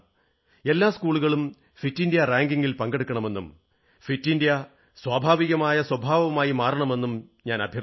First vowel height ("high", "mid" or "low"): mid